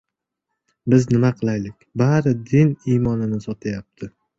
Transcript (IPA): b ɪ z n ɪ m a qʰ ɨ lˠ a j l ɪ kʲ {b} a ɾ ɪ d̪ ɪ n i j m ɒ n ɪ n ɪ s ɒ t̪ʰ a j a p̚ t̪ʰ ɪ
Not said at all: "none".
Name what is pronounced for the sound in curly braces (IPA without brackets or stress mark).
b